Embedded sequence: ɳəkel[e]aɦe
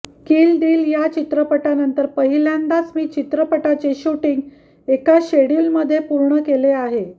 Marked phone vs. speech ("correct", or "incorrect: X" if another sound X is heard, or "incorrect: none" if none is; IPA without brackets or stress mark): correct